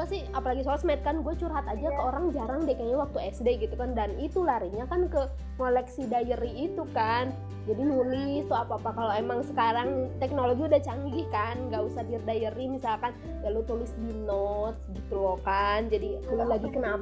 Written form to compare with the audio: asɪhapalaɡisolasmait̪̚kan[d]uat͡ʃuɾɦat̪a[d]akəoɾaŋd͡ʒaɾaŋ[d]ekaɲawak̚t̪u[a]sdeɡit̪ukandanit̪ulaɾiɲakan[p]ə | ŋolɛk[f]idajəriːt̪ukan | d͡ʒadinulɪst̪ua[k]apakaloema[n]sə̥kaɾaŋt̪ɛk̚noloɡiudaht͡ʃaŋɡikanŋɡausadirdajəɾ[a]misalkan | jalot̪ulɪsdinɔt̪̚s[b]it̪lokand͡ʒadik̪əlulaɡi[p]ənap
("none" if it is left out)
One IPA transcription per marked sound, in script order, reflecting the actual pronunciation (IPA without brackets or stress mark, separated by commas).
ɡ, d͡ʒ, d, ɛ, k, s, p, ŋ, i, d, k